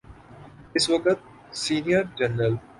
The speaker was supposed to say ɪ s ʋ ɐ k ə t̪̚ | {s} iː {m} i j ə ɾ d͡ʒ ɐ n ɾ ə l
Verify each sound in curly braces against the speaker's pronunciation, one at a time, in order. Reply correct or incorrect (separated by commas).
correct, incorrect